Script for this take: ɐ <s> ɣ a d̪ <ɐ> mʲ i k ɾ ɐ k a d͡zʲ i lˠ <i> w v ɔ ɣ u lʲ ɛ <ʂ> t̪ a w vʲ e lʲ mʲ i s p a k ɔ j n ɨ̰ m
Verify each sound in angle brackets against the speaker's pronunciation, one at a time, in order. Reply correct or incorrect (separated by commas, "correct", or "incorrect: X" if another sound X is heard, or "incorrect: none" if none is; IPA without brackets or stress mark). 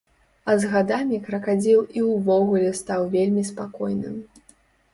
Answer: incorrect: z, incorrect: a, correct, incorrect: s